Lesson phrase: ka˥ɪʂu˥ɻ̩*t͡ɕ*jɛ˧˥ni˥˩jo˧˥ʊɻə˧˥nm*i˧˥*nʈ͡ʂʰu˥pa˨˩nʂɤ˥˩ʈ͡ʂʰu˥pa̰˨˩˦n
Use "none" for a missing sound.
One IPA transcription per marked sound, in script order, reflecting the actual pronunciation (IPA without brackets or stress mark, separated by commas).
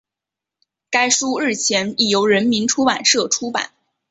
t͡ɕʰ, i˧˥